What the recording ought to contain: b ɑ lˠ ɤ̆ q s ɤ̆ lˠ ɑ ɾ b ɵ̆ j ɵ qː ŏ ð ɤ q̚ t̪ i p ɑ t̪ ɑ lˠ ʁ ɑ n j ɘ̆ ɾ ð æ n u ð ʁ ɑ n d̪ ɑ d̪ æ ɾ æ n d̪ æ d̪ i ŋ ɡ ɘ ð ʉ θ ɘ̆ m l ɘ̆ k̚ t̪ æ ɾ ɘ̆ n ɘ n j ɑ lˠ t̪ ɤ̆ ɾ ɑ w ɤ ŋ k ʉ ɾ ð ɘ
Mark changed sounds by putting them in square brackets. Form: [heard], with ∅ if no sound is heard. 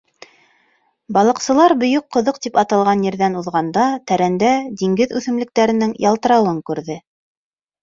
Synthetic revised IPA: b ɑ lˠ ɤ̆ q s ɤ̆ lˠ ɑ ɾ b ɵ̆ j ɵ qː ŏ ð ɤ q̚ t̪ i p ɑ t̪ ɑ lˠ ʁ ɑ n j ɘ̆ ɾ ð æ n u ð ʁ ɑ n d̪ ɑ [t̪] æ ɾ æ n d̪ æ d̪ i ŋ ɡ ɘ ð ʉ θ ɘ̆ m l ɘ̆ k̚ t̪ æ ɾ ɘ̆ n ɘ [ŋ] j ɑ lˠ t̪ ɤ̆ ɾ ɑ w ɤ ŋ k ʉ ɾ ð ɘ